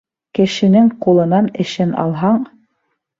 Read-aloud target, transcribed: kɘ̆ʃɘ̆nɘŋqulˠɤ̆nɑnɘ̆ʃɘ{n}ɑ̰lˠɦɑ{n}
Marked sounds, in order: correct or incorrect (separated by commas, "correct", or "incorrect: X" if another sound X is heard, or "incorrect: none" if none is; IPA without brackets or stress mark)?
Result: correct, incorrect: ɴ